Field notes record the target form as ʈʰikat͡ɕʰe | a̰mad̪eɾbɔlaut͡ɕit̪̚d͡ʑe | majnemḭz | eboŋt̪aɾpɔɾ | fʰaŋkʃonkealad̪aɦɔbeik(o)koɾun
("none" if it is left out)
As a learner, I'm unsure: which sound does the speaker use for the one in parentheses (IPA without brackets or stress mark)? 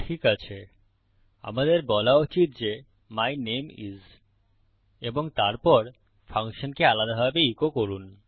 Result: o